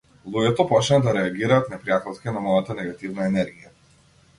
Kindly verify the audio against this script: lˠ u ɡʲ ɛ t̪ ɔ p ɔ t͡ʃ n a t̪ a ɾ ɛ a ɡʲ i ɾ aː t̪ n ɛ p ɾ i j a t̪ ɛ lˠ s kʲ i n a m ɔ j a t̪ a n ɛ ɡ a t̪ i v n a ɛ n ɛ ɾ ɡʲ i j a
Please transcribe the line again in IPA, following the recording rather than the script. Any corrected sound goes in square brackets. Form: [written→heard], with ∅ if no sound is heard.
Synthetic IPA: lˠ u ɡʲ ɛ t̪ ɔ p ɔ t͡ʃ n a [t̪→d̪] a ɾ ɛ a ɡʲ i ɾ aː t̪ n ɛ p ɾ i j a t̪ ɛ lˠ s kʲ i n a m ɔ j a t̪ a n ɛ ɡ a t̪ i v n a ɛ n ɛ ɾ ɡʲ i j a